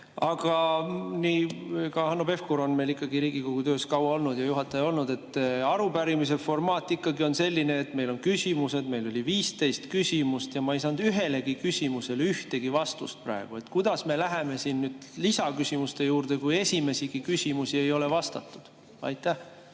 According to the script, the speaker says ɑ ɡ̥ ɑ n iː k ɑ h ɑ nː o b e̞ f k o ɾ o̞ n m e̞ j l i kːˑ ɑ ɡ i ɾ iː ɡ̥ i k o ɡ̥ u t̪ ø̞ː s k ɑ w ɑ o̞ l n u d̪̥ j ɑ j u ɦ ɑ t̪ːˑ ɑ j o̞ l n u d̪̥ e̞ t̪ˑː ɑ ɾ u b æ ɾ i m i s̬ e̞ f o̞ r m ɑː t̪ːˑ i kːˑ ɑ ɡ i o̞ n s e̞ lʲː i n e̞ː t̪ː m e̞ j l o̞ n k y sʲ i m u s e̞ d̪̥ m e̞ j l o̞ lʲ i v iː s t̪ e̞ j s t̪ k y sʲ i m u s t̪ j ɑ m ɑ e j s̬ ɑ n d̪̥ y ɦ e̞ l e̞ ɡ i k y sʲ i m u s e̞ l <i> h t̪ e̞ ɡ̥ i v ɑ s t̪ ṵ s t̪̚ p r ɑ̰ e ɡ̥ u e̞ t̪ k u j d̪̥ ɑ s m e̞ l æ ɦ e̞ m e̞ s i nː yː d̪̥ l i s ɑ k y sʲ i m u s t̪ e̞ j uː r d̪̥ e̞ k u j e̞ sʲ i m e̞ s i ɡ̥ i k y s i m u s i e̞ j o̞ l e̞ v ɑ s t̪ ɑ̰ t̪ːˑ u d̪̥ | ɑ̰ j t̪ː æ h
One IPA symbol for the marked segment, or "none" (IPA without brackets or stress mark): y